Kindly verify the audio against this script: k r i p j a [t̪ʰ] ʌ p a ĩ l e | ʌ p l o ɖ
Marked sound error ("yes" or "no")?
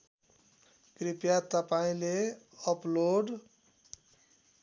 yes